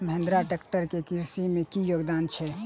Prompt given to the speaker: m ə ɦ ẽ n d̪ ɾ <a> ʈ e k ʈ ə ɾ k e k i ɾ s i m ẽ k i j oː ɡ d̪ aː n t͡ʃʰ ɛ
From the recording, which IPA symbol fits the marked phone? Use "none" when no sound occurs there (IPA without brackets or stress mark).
a